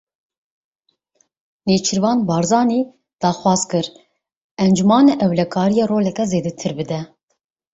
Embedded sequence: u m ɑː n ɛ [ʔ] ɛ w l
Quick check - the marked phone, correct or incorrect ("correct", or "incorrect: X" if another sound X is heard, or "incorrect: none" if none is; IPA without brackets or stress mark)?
correct